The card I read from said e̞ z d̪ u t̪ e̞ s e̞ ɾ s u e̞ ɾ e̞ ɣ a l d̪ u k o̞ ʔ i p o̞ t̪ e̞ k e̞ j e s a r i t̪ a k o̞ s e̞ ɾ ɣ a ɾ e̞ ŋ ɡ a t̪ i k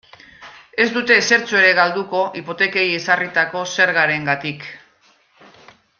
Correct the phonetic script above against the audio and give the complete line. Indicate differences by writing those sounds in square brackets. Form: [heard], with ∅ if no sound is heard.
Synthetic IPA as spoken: e̞ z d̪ u t̪ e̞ s e̞ ɾ [t͡s] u e̞ ɾ e̞ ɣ a l d̪ u k o̞ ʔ i p o̞ t̪ e̞ k e̞ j e s a r i t̪ a k o̞ s e̞ ɾ ɣ a ɾ e̞ ŋ ɡ a t̪ i k